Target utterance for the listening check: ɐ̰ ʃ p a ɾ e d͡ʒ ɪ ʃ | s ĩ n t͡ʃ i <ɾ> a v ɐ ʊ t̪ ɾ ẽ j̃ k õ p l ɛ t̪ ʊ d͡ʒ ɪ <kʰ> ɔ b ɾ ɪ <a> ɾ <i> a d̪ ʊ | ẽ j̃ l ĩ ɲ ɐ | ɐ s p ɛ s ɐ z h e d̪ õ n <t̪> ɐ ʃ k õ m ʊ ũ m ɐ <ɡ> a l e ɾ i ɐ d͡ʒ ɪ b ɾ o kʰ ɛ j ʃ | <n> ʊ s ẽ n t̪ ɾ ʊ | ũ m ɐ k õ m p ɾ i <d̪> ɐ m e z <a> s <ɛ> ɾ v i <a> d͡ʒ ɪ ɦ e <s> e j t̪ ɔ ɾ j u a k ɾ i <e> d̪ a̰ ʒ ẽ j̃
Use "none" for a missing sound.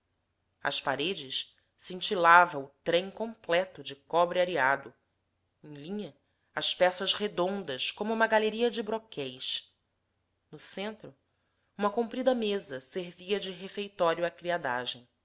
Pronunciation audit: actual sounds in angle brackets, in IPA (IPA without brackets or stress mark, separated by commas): l, k, a, i, d̪, ɡ, n, d̪, ɐ, e, ɐ, f, a